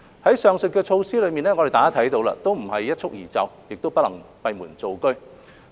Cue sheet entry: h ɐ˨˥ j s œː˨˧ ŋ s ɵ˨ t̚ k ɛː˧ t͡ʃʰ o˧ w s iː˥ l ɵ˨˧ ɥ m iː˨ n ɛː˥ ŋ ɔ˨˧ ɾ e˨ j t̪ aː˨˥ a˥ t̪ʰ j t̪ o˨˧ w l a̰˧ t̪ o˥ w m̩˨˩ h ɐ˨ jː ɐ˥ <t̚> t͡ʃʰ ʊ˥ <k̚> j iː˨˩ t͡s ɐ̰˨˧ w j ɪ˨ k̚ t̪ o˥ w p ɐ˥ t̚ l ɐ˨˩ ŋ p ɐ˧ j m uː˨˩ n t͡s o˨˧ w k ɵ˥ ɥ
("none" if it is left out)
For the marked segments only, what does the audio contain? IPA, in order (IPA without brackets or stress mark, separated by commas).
t̚, k̚